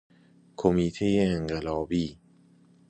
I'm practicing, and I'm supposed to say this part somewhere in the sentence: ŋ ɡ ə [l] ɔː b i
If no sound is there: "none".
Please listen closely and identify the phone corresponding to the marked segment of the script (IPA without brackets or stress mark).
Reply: l